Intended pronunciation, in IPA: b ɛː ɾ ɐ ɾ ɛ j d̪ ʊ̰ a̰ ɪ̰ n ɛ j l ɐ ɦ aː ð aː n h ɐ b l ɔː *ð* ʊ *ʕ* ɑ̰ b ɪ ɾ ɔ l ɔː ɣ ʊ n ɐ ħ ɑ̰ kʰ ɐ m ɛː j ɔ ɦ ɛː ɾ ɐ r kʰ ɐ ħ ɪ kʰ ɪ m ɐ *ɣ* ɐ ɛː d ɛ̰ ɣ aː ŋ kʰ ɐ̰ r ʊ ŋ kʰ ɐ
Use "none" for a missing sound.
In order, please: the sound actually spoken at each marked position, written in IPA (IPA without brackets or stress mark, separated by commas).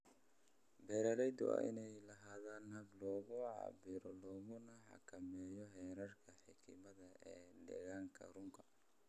ɣ, ʕ, ð